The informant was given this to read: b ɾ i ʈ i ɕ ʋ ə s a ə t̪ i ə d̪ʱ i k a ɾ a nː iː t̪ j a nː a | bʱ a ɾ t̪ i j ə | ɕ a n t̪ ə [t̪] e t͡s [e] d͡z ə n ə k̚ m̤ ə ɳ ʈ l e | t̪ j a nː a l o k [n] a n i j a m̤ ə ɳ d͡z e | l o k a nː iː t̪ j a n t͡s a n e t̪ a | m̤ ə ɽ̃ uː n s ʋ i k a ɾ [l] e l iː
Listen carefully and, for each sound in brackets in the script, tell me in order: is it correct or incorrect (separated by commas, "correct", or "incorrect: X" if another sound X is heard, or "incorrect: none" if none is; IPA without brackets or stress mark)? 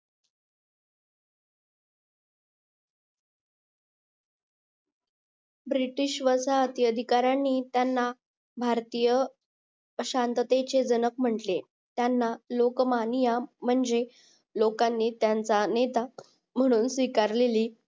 correct, correct, incorrect: m, correct